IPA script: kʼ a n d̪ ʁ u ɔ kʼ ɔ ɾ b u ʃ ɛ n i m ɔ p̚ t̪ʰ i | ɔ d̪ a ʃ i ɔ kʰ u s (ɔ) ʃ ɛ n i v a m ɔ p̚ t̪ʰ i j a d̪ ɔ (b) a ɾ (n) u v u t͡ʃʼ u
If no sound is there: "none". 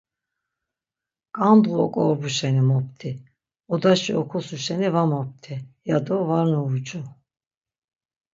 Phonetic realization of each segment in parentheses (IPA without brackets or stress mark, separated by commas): u, v, n